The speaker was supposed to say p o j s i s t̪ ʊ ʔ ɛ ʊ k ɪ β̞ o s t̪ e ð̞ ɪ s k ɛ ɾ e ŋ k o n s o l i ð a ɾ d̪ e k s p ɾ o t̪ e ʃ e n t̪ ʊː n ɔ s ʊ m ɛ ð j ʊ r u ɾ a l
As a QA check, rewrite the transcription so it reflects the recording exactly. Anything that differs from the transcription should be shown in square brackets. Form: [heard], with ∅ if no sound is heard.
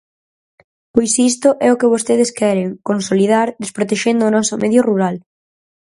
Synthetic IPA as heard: p o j s i s t̪ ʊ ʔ ɛ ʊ k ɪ β̞ o s t̪ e ð̞ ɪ s k ɛ ɾ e ŋ k o n s o l i ð a ɾ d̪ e [∅] s p ɾ o t̪ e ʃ e n [d̪] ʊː n ɔ s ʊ m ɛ ð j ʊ r u ɾ a l